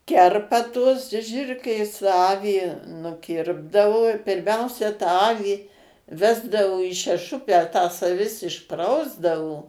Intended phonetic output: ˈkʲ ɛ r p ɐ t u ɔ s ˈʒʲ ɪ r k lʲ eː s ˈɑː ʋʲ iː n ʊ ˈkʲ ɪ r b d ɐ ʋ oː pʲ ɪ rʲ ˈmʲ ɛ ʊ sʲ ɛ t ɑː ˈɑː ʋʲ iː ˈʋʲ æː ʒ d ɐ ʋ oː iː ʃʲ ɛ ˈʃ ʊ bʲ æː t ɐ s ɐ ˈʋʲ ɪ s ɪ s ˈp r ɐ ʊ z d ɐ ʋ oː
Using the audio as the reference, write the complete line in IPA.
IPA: ˈkʲ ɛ r p ɐ t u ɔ s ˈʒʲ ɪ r k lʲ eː s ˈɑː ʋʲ iː n ʊ ˈkʲ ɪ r b d ɐ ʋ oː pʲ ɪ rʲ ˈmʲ ɛ ʊ sʲ ɛ t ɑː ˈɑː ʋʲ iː ˈʋʲ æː z d ɐ ʋ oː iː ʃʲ ɛ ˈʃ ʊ pʲ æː t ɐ s ɐ ˈʋʲ ɪ s ɪ ʃ ˈp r ɐ ʊ z d ɐ ʋ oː

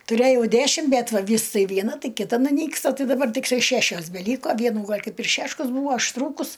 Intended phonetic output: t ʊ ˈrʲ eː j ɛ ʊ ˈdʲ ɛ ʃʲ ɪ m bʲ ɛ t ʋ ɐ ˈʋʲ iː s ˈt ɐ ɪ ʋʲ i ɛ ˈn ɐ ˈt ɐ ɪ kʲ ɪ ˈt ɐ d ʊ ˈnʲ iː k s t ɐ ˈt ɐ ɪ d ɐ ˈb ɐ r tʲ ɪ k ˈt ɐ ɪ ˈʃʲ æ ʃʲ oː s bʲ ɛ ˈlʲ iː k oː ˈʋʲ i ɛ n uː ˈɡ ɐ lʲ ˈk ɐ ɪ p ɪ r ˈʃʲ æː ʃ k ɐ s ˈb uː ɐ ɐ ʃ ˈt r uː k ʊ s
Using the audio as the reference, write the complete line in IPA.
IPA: t ʊ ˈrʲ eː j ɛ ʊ ˈdʲ æ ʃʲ ɪ m bʲ ɛ t ʋ ɐ ˈʋʲ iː s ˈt ɐ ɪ ʋʲ i ɛ ˈn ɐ ˈt ɐ ɪ kʲ ɪ ˈt ɐ n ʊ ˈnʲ iː k s t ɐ ˈt ɐ ɪ d ɐ ˈb ɐ r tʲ ɪ k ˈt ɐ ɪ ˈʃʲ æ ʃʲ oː s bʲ ɛ ˈlʲ iː k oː ˈʋʲ i ɛ n uː ˈɡ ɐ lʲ ˈk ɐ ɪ p ɪ r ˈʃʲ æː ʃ k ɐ s ˈb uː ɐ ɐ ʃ ˈt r uː k ʊ s

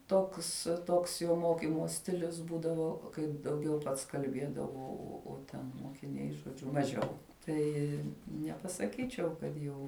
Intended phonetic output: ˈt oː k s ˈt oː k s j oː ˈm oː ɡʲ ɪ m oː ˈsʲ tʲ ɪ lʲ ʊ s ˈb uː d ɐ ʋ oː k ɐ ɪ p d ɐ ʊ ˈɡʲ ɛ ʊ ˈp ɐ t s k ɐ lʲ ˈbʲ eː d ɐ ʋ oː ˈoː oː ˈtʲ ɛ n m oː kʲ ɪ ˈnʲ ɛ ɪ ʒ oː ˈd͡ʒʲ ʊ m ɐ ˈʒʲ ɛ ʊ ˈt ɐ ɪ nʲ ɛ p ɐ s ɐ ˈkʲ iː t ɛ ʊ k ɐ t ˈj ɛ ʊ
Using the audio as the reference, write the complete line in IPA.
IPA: ˈt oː k s ˈt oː k s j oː ˈm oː kʲ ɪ m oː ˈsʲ tʲ ɪ lʲ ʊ s ˈb uː d ɐ ʋ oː k ɐ ɪ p d ɐ ʊ ˈɡʲ ɛ ʊ ˈp ɐ t s k ɐ lʲ ˈbʲ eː d ɐ ʋ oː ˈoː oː ˈtʲ ɛ n m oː kʲ ɪ ˈnʲ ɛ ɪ ʒ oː ˈd͡ʒʲ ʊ m ɐ ˈʒʲ ɛ ʊ ˈt ɐ ɪ nʲ ɛ p ɐ s ɐ ˈkʲ iː t͡ʃʲ ɛ ʊ k ɐ t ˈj ɛ ʊ

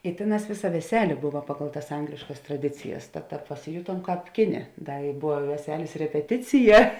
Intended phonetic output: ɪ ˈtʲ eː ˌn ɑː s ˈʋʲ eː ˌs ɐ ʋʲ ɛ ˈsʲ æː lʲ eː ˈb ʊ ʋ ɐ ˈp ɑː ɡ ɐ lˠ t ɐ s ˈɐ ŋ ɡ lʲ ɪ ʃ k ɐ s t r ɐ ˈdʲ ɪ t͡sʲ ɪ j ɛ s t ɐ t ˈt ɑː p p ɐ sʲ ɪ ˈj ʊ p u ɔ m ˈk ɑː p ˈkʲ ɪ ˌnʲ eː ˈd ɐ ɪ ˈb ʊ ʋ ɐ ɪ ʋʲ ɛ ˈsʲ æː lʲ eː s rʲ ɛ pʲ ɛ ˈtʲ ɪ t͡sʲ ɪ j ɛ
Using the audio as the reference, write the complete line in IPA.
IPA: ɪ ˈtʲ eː ˌn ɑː s ˈʋʲ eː ˌs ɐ ʋʲ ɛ ˈsʲ æː lʲ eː ˈb ʊ ʋ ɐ ˈp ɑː ɡ ɐ lˠ t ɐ s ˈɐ ŋ ɡ lʲ ɪ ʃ k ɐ s t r ɐ ˈdʲ ɪ t͡sʲ ɪ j ɛ s t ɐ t ˈt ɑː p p ɐ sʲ ɪ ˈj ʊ t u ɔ m ˈk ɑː p ˈkʲ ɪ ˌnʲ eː ˈd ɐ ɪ ˈb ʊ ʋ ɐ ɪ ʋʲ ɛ ˈsʲ æː lʲ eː s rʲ ɛ pʲ ɛ ˈtʲ ɪ t͡sʲ ɪ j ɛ

